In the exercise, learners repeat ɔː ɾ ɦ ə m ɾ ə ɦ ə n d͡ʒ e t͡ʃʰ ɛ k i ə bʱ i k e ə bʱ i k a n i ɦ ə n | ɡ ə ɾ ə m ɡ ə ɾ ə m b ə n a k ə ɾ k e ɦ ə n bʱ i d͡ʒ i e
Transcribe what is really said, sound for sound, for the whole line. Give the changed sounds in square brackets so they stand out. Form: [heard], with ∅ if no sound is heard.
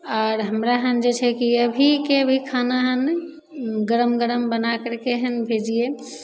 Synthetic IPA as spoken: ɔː ɾ ɦ ə m ɾ [a] ɦ ə n d͡ʒ e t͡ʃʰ ɛ k i ə bʱ i k e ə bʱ i [kʰ] a n [a] ɦ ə n | ɡ ə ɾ ə m ɡ ə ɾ ə m b ə n a k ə ɾ k e ɦ ə n bʱ [e] d͡ʒ i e

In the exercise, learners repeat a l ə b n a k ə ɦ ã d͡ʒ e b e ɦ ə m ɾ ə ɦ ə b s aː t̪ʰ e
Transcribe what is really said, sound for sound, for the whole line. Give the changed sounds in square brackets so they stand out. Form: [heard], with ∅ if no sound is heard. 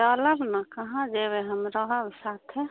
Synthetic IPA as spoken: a l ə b n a k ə ɦ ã d͡ʒ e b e ɦ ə m ɾ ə ɦ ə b s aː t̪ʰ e

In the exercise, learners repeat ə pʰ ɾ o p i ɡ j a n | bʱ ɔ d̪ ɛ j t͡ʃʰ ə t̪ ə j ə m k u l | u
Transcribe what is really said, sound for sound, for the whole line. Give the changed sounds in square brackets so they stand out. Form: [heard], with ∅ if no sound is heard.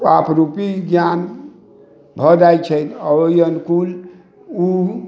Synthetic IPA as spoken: [a] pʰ ɾ [u] p i ɡ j a n | bʱ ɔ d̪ [a] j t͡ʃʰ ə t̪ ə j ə [n] k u l | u

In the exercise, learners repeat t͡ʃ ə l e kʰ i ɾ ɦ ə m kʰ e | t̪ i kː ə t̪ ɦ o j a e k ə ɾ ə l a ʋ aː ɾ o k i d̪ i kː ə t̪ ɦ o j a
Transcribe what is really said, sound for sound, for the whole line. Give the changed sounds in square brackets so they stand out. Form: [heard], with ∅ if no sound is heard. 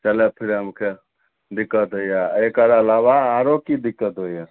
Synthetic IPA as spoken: t͡ʃ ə l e [pʰ] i ɾ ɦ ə m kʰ e | [d̪] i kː ə t̪ ɦ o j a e k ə ɾ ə l a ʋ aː ɾ o k i d̪ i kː ə t̪ ɦ o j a

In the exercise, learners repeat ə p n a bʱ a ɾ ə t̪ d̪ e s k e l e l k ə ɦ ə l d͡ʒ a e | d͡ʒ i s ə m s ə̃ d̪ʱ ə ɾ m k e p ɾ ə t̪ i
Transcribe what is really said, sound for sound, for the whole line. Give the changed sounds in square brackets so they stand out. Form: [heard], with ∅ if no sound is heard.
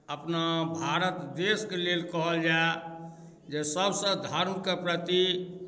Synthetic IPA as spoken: ə p n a bʱ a ɾ ə t̪ d̪ e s k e l e l k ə ɦ ə l d͡ʒ a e | d͡ʒ [e] s ə [b] s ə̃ d̪ʱ ə ɾ m k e p ɾ ə t̪ i

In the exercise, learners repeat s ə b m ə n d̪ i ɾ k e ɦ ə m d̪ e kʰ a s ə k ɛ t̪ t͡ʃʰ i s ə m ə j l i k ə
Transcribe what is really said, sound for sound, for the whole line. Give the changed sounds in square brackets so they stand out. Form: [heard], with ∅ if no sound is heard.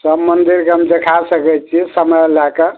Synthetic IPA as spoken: s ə b m ə n d̪ i ɾ k e ɦ ə m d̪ e kʰ a s ə k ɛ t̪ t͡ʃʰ i s ə m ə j l [a] k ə

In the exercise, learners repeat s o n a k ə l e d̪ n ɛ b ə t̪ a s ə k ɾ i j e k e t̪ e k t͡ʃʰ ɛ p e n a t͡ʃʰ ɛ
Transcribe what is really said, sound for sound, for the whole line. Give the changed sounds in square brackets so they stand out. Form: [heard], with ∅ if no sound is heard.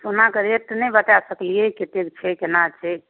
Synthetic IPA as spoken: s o n a k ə [ɾ] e [t̪] n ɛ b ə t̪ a s ə k [l] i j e k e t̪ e k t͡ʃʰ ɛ [k] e n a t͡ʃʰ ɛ

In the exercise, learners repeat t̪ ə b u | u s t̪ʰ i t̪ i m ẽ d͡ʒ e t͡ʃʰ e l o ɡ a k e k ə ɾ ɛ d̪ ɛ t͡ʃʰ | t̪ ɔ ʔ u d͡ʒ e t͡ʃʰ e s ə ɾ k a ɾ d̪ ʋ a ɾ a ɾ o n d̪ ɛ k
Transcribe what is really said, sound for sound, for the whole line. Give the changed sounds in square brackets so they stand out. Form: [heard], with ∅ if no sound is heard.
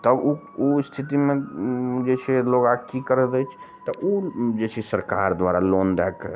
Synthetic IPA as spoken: t̪ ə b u | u s t̪ʰ i t̪ i m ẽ d͡ʒ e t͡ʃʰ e l o ɡ a k [i] k ə ɾ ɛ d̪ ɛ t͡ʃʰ | t̪ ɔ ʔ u d͡ʒ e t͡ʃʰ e s ə ɾ k a ɾ d̪ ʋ a ɾ a [l] o n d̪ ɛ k

